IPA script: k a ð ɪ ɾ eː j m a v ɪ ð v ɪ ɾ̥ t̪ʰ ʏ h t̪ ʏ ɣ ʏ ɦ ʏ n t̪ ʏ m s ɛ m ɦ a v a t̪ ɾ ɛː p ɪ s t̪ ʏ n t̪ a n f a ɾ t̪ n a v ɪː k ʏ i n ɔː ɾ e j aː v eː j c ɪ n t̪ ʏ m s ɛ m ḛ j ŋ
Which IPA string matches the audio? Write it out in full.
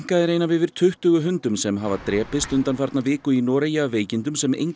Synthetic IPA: k a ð ɪ ɾ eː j n a v ɪ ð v ɪ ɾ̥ t̪ʰ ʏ h t̪ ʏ ɣ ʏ ɦ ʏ n t̪ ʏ m s ɛ m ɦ a v a t̪ ɾ ɛː p ɪ s t̪ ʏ n t̪ a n f a ɾ t̪ n a v ɪː k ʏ i n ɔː ɾ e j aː v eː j c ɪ n t̪ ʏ m s ɛ m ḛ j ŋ